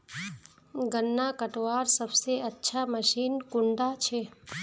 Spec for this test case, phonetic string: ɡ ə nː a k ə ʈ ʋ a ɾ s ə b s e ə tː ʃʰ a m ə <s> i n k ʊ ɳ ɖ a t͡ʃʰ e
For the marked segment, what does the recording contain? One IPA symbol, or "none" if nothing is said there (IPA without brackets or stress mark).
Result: ʃ